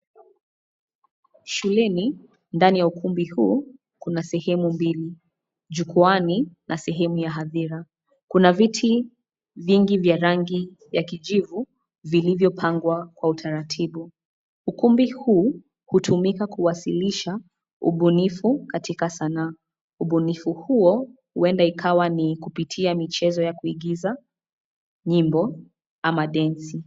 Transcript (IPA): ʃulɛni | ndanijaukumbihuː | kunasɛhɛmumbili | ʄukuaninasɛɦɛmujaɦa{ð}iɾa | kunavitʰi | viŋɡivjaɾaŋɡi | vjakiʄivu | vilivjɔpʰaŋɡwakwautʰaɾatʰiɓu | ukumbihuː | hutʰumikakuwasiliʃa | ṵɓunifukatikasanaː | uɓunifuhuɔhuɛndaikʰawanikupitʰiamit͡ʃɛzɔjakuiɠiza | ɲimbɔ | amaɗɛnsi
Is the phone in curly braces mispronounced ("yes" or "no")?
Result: no